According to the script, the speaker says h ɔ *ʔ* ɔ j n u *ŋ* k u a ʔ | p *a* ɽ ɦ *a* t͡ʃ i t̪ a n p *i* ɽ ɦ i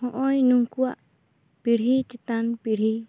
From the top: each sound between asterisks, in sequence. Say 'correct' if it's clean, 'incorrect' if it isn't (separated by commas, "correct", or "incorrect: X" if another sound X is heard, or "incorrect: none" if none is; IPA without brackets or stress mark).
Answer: correct, correct, incorrect: i, incorrect: i, correct